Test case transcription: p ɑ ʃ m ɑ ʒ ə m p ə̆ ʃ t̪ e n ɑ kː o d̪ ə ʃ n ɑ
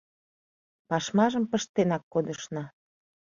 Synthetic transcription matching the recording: p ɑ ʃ m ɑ ʒ ə m p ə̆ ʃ t̪ e n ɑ kː o d̪ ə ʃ n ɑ